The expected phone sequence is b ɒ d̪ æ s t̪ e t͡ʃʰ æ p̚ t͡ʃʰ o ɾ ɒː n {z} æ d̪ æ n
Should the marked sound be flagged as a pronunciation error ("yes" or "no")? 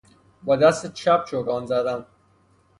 no